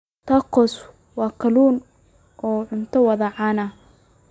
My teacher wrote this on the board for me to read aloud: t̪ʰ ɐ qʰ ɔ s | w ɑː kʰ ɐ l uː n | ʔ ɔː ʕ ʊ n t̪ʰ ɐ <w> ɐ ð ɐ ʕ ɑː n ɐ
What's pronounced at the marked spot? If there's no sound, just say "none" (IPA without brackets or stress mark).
w